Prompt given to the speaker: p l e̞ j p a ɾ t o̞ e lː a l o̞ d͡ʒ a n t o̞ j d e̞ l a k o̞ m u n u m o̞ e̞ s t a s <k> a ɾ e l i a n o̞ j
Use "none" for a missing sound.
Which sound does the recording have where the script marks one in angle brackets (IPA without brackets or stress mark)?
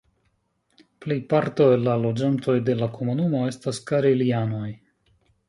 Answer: k